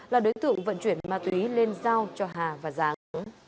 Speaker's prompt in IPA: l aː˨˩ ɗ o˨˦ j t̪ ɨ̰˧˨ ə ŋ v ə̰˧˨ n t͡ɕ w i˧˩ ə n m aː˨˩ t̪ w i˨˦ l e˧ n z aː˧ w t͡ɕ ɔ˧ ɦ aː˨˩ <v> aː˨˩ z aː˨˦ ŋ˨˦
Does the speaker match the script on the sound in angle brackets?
yes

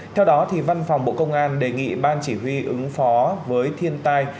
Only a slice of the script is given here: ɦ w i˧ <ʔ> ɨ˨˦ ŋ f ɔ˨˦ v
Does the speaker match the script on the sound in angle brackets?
yes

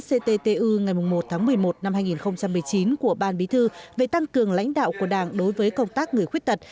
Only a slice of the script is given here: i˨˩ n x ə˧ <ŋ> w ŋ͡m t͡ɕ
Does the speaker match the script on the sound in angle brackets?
no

